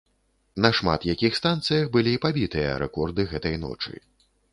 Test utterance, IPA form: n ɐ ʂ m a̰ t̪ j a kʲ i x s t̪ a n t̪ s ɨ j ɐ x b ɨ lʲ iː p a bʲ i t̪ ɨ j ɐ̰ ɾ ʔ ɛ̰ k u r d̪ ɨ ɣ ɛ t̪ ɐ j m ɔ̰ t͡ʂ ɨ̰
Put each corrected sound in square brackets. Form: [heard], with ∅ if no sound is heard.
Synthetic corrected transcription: n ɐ ʂ m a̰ t̪ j a kʲ i x s t̪ a n t̪ s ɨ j ɐ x b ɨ lʲ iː p a bʲ i t̪ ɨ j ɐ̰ ɾ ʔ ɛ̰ k [ɔ] r d̪ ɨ ɣ ɛ t̪ ɐ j [n] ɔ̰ t͡ʂ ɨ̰

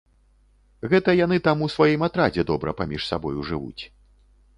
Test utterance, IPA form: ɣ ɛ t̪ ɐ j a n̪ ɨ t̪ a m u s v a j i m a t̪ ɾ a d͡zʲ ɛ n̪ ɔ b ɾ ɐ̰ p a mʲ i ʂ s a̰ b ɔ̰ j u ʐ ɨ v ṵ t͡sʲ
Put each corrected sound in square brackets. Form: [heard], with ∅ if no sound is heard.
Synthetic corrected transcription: ɣ ɛ t̪ ɐ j a n̪ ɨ t̪ a m u s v a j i m a t̪ ɾ a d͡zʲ ɛ [d̪] ɔ b ɾ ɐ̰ p a mʲ i ʂ s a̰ b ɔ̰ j u ʐ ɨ v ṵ t͡sʲ

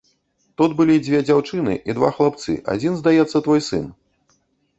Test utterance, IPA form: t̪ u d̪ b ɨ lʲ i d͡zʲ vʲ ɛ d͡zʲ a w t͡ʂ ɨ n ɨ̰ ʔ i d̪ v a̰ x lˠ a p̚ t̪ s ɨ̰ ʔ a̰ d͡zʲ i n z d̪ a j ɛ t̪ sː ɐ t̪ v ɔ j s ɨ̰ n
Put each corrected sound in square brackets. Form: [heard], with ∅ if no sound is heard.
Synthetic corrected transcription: t̪ u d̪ b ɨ lʲ i d͡zʲ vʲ ɛ d͡zʲ a w t͡ʂ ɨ n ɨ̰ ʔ i d̪ v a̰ x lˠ a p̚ t̪ s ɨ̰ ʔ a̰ d͡zʲ i n z d̪ a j ɛ t̪ sː ɐ t̪ v ɔ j s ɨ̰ n

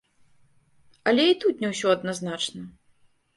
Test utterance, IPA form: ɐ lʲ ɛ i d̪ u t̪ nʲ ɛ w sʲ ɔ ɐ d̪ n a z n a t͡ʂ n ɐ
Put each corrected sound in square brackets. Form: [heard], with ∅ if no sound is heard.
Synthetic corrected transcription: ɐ lʲ ɛ i [t̪] u t̪ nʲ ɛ w sʲ ɔ ɐ d̪ n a z n a t͡ʂ n ɐ

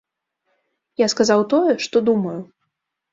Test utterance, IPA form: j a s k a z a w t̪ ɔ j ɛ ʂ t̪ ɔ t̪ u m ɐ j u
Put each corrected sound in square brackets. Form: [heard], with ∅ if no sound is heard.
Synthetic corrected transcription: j a s k a z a w t̪ ɔ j ɛ ʂ t̪ ɔ [d̪] u m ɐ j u

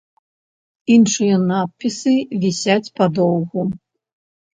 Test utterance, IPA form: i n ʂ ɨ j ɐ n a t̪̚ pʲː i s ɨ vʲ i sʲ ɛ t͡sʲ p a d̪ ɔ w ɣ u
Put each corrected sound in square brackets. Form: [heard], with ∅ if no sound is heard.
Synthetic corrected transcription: i n ʂ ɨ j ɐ n a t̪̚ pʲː i s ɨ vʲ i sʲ [a] t͡sʲ p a d̪ ɔ w ɣ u

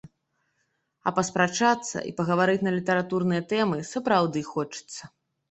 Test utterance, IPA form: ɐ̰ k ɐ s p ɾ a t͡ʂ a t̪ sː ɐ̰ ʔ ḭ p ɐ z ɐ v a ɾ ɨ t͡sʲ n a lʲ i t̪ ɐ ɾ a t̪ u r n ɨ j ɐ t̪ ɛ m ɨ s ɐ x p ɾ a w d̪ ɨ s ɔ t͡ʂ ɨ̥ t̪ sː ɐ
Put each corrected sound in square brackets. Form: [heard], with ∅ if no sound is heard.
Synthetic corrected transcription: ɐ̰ [p] ɐ s p ɾ a t͡ʂ a t̪ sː ɐ̰ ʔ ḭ p ɐ [ɣ] ɐ v a ɾ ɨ t͡sʲ n [ɐ] lʲ i t̪ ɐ ɾ a t̪ u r n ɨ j ɐ t̪ ɛ m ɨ s ɐ [∅] p ɾ a w d̪ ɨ [x] ɔ t͡ʂ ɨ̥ t̪ sː ɐ

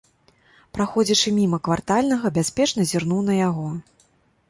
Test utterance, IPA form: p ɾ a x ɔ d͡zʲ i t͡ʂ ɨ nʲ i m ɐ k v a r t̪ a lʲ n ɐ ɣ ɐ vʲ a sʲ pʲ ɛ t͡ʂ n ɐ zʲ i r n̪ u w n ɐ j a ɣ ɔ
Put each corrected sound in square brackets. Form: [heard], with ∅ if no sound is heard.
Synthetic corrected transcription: p ɾ a x ɔ d͡zʲ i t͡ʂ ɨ [mʲ] i m ɐ k v a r t̪ a lʲ n ɐ ɣ ɐ [bʲ] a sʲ pʲ ɛ t͡ʂ n ɐ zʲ i r n̪ u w n ɐ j a ɣ ɔ

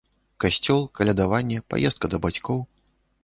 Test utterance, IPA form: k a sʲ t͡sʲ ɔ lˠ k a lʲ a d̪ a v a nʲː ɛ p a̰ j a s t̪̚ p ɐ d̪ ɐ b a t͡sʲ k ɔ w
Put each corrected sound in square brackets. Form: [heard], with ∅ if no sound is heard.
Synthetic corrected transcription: k a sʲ t͡sʲ ɔ lˠ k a lʲ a d̪ a v a nʲː ɛ p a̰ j [ɛ] s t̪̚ [k] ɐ d̪ ɐ b a t͡sʲ k ɔ w

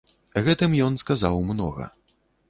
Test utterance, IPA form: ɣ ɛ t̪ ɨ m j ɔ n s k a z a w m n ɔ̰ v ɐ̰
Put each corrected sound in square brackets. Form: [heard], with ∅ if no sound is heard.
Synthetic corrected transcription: ɣ ɛ t̪ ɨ m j ɔ n s k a z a w m n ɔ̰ [ɣ] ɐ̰

